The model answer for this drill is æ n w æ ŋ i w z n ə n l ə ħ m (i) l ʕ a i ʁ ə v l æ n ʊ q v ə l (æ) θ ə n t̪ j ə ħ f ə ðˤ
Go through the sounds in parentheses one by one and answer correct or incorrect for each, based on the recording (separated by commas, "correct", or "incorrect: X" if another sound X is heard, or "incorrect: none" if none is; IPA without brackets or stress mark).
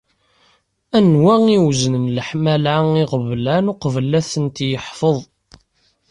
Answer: incorrect: æ, correct